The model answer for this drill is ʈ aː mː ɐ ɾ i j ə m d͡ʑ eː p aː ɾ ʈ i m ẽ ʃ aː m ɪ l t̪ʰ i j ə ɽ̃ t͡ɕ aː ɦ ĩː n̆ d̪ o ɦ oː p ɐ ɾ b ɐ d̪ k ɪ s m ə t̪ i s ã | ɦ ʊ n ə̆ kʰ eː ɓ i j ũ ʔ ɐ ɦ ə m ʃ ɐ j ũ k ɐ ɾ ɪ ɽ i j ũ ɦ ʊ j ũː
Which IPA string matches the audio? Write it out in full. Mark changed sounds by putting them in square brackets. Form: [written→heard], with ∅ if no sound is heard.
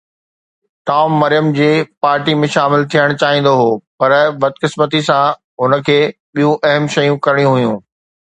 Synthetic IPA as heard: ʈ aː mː ɐ ɾ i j ə m d͡ʑ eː p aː ɾ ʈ i m ẽ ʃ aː m ɪ l t̪ʰ i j ə ɽ̃ t͡ɕ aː ɦ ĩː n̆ d̪ o ɦ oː p ɐ ɾ b ɐ d̪ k ɪ s m ə t̪ i s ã | ɦ ʊ n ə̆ kʰ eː ɓ i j ũ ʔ ɐ ɦ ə m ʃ ɐ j ũ k ɐ ɾ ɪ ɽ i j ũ ɦ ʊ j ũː